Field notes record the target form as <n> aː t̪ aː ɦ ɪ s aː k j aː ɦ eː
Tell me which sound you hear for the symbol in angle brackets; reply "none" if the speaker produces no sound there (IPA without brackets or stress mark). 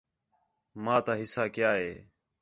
m